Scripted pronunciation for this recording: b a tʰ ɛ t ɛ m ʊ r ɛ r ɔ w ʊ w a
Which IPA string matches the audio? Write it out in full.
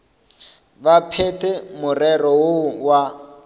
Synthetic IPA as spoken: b a pʰ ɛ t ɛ m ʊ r ɛ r ɔ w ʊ w a